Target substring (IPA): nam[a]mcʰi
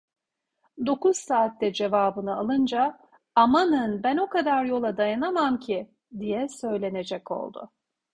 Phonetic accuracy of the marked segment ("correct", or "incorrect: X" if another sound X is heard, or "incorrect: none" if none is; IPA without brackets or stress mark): correct